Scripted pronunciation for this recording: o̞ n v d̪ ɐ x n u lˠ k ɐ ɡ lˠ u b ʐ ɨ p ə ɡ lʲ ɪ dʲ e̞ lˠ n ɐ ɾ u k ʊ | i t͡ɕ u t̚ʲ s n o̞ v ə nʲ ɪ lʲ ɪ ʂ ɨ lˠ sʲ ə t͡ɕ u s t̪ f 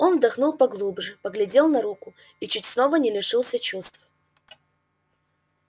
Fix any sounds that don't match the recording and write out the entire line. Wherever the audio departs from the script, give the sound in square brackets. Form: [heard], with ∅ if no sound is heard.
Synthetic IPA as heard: o̞ n v d̪ ɐ x n u lˠ [p] ɐ ɡ lˠ u b ʐ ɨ p ə ɡ lʲ ɪ dʲ e̞ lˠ n ɐ ɾ u k ʊ | i t͡ɕ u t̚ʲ s n o̞ v ə nʲ ɪ lʲ ɪ ʂ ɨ lˠ sʲ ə t͡ɕ u s t̪ f